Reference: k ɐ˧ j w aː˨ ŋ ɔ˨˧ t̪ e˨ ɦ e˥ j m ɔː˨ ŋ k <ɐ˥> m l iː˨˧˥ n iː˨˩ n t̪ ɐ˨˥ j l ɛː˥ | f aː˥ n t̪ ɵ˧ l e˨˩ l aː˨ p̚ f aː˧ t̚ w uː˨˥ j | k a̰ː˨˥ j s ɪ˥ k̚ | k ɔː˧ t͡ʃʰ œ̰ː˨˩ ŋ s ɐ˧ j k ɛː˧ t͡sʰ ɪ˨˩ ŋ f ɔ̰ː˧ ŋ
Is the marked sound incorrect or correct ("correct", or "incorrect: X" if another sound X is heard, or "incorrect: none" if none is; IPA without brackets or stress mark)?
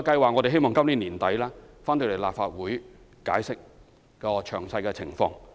correct